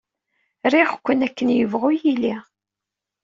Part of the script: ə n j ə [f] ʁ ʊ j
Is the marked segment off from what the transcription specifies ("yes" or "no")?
yes